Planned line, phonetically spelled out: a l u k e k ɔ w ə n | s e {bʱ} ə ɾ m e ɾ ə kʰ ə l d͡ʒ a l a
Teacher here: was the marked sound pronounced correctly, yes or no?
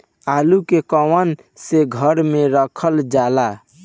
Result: no